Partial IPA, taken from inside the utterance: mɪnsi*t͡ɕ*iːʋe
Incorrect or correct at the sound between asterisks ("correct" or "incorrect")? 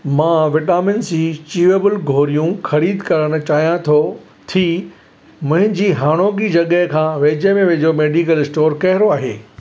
correct